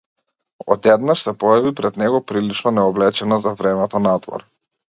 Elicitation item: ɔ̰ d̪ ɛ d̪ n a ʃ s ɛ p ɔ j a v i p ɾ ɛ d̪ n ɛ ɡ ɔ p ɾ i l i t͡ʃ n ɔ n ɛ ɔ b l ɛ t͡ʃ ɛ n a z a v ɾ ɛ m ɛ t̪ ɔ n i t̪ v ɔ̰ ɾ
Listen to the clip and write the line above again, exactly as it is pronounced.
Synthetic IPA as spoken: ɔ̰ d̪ ɛ d̪ n a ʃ s ɛ p ɔ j a v i p ɾ ɛ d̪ n ɛ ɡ ɔ p ɾ i l i t͡ʃ n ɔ n ɛ ɔ b l ɛ t͡ʃ ɛ n a z a v ɾ ɛ m ɛ t̪ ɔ n a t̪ v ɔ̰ ɾ